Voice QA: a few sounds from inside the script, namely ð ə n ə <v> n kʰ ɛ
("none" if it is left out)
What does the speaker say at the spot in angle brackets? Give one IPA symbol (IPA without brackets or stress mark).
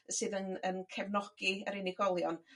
none